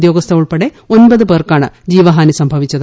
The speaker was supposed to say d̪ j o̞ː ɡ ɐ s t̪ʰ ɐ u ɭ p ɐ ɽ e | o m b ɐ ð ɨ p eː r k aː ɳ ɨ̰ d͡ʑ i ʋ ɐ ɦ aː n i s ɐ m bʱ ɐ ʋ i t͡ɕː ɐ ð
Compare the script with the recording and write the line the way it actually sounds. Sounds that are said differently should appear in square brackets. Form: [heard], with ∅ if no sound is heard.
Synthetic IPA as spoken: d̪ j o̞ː ɡ ɐ s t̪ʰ ɐ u ɭ p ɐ ɽ e | o [n] b ɐ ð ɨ p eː r k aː ɳ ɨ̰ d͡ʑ [iː] ʋ ɐ ɦ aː n i s ɐ m bʱ ɐ ʋ i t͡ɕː ɐ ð